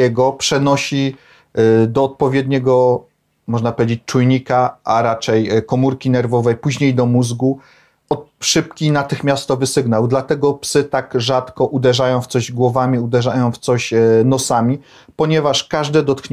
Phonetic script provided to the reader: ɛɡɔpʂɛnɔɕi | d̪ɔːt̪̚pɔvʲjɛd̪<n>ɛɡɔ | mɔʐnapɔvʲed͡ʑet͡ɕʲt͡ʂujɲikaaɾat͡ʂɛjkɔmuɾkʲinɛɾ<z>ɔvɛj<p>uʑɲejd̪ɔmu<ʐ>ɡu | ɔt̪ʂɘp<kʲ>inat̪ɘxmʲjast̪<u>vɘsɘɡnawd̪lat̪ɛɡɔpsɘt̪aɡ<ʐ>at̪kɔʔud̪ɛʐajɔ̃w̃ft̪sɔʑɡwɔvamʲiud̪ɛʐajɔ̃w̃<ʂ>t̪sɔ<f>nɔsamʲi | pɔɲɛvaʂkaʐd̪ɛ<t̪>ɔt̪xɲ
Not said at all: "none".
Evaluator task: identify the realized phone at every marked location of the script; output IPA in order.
ɲ, v, p, z, kʲ, ɔ, ʐ, f, ɕ, d̪

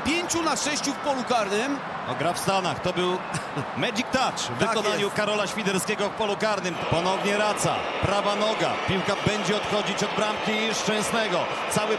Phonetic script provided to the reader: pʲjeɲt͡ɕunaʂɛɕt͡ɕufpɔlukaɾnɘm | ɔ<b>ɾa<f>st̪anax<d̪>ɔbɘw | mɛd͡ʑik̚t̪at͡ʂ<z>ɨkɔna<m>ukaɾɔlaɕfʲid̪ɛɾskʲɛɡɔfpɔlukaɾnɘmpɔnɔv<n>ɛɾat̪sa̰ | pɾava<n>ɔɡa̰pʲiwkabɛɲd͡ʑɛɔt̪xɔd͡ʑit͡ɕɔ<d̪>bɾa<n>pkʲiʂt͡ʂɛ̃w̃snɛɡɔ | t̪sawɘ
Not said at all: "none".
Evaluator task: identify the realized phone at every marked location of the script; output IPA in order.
ɡ, f, t̪, v, ɲ, ɲ, n, d̪, m

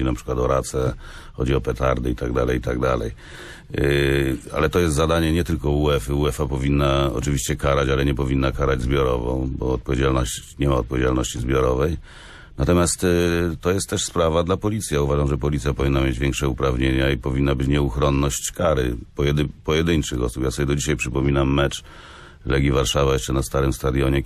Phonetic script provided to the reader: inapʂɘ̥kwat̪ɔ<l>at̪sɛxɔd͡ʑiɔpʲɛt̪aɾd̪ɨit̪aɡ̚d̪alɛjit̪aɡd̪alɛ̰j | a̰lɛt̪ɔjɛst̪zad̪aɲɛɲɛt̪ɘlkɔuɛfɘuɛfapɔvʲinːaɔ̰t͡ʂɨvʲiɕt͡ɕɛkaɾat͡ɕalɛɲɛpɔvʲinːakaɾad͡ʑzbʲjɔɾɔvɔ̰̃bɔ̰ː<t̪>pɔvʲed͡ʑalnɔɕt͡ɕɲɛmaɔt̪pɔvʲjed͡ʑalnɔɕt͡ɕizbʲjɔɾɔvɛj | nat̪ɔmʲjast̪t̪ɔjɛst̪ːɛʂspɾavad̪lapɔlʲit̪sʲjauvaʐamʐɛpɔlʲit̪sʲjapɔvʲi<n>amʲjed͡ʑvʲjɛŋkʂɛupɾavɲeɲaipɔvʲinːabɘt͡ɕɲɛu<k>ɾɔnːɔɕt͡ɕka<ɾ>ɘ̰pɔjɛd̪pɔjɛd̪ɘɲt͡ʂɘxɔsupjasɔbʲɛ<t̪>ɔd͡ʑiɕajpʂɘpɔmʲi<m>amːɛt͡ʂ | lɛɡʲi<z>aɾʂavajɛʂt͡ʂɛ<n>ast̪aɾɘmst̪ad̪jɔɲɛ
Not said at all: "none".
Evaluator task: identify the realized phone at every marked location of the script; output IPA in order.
ɾ, t̪, nː, x, ɾ, d̪, n, v, n

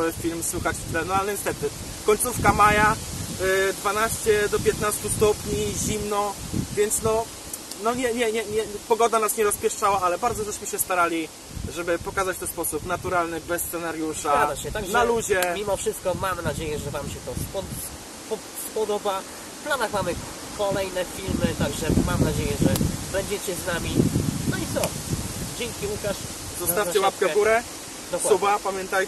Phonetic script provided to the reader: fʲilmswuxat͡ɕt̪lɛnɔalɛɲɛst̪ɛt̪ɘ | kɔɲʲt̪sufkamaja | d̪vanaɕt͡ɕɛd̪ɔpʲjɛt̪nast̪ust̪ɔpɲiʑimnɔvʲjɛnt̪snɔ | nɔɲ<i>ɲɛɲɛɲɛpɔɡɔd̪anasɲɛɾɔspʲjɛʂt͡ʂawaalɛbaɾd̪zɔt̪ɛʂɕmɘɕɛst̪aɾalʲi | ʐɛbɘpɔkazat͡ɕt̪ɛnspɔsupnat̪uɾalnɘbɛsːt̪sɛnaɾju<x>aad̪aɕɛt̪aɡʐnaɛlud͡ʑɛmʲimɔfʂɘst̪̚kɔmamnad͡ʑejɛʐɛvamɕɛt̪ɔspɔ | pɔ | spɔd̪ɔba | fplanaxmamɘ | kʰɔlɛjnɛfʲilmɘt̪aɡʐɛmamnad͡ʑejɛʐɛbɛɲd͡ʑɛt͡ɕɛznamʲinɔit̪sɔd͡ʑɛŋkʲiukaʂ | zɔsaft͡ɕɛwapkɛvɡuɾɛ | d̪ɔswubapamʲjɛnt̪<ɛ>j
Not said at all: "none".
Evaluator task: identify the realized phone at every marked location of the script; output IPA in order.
ɛ, ʂ, a

